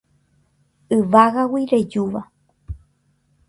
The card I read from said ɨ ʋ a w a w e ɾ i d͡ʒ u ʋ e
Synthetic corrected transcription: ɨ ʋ a ɣ a w i ɾ e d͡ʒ u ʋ a